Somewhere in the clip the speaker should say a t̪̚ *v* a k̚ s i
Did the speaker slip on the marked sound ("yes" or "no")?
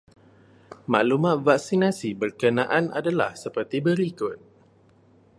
no